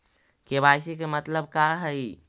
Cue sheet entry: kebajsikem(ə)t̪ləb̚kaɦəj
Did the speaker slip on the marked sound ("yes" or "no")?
no